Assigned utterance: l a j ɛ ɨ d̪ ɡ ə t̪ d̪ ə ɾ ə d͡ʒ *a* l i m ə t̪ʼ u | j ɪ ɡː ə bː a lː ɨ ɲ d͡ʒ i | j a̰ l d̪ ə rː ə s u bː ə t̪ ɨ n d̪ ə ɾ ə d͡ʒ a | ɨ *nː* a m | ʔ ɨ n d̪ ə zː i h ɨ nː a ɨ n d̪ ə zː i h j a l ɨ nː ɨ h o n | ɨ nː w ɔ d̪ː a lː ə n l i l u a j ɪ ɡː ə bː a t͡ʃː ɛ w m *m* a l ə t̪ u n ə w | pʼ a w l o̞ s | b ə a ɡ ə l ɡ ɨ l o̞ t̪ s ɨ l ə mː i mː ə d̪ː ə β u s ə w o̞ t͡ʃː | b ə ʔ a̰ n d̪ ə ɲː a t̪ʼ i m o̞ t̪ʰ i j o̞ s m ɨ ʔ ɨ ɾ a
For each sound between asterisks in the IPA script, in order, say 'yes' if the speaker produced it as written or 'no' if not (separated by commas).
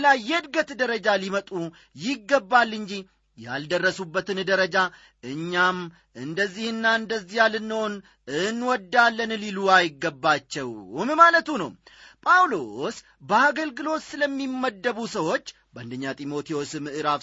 yes, no, yes